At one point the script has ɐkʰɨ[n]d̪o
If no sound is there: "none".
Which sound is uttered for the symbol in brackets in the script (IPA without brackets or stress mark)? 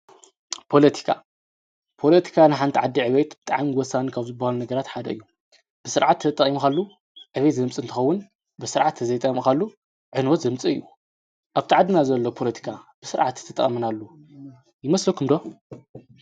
m